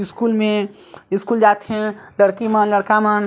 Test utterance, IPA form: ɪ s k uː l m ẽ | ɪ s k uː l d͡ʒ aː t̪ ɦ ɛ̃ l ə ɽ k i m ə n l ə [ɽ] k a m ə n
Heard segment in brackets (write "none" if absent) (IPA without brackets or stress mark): ɽ